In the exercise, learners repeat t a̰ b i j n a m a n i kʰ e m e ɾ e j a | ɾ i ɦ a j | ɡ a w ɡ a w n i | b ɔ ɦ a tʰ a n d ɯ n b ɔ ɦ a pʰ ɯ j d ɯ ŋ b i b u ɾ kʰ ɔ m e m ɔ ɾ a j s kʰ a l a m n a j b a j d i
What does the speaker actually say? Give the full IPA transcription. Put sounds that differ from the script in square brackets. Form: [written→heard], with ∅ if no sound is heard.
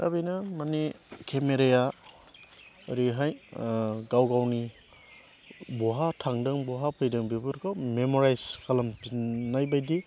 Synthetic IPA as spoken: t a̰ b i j n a m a n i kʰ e m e ɾ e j a | ɾ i ɦ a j | ɡ a w ɡ a w n i | b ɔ ɦ a tʰ a [n→ŋ] d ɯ [n→ŋ] b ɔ ɦ a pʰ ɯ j d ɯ ŋ b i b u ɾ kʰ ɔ m e m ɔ ɾ a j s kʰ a l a m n a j b a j d i